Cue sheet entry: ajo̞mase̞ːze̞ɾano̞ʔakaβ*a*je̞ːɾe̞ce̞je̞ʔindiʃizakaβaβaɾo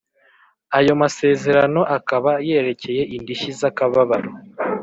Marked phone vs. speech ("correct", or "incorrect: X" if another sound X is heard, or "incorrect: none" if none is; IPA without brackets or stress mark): correct